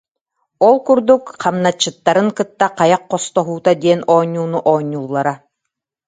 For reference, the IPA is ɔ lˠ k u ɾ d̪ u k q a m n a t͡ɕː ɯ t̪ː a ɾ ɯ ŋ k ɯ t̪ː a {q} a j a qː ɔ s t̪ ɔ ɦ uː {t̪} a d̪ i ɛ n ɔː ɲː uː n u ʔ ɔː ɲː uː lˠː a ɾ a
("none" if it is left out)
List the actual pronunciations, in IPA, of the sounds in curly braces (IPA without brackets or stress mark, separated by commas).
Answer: q, t̪